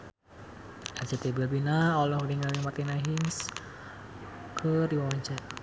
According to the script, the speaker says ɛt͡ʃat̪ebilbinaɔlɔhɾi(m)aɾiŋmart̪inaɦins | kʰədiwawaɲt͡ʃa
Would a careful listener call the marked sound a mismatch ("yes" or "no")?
yes